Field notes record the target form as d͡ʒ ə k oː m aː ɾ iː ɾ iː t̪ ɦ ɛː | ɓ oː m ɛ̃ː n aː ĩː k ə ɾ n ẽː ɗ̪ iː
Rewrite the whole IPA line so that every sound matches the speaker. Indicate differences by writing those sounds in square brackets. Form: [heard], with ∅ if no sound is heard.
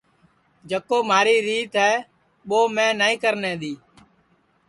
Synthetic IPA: d͡ʒ ə k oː m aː ɾ iː ɾ iː t̪ ɦ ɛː | ɓ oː m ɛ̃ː n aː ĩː k ə ɾ n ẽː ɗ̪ iː